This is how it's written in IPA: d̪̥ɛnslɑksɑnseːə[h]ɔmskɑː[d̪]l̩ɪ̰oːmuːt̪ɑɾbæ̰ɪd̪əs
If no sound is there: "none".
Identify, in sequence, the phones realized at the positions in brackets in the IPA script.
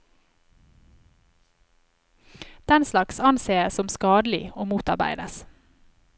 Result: s, d̪

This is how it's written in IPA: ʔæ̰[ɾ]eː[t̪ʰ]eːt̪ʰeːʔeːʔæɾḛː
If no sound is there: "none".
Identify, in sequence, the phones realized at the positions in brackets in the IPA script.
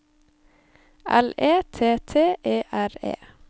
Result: l, t̪ʰ

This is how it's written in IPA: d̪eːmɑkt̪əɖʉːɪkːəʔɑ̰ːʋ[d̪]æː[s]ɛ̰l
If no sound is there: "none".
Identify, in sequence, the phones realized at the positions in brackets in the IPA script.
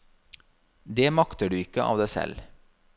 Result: d̪, s

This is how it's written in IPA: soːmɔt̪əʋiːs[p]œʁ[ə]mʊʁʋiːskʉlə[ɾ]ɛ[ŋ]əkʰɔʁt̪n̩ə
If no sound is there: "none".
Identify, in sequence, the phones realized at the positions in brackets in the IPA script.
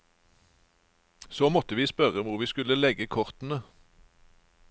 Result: p, ə, l, ɡ

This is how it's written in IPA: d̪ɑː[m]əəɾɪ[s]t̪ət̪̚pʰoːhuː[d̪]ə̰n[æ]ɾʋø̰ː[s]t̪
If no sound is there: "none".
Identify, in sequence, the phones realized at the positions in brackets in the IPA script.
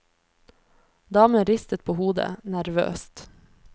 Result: m, s, d̪, æ, s

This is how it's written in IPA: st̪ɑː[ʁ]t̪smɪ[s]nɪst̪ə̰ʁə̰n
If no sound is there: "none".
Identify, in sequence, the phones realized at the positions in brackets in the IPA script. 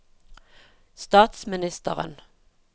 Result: none, none

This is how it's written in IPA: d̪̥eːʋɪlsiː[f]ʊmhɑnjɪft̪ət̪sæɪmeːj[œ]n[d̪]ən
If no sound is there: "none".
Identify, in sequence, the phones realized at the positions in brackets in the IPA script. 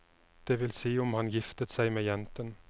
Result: none, ɛ, t̪

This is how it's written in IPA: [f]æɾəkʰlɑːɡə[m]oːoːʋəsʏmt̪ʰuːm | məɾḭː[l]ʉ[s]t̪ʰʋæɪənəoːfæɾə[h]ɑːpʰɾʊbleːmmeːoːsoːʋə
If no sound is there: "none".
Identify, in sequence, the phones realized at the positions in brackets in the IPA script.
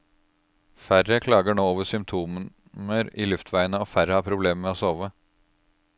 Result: f, ɳ, l, f, h

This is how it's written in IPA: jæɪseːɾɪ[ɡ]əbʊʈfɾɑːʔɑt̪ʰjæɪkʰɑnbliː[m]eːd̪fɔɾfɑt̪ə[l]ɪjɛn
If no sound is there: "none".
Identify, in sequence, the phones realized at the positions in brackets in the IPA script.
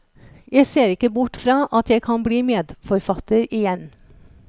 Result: k, m, ɾ

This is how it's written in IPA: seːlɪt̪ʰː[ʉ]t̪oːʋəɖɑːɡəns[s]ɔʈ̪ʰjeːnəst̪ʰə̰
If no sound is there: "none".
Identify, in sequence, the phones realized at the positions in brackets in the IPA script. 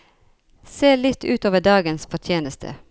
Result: ʉː, f

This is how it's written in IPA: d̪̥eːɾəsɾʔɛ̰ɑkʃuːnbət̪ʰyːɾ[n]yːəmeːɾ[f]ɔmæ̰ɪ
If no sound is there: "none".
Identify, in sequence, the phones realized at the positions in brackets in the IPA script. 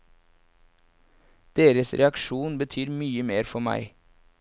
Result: m, f

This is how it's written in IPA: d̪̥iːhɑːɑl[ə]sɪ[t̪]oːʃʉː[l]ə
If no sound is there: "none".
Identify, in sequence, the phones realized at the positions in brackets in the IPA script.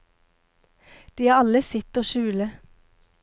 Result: ə, t̪, l

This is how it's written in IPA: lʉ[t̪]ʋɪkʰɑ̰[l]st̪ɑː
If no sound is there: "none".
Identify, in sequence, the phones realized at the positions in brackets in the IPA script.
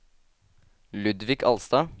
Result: d̪, l

